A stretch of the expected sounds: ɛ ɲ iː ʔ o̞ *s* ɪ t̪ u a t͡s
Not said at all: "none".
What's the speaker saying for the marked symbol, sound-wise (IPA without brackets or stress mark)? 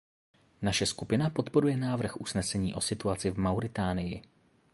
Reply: s